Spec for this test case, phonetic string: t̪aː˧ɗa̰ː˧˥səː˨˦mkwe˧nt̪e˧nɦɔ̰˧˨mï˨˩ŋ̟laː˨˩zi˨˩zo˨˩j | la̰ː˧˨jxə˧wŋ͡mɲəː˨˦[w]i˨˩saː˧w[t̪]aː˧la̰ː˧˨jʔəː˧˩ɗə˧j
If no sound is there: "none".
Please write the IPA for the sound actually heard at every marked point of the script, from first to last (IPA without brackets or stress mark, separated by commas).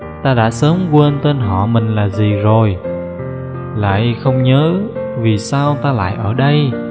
v, t̪